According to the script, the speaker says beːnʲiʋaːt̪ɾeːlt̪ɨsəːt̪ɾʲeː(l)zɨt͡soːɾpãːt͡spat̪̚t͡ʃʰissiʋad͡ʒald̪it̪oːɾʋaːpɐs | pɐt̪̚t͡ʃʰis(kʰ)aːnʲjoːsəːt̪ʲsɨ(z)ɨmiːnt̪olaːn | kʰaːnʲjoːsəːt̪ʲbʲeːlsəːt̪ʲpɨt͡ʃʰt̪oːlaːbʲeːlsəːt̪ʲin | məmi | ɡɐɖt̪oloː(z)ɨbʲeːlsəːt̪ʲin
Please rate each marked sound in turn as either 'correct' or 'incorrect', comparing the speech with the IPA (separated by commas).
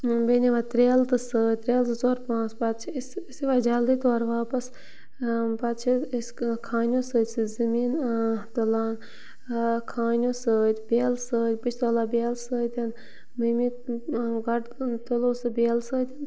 correct, correct, correct, incorrect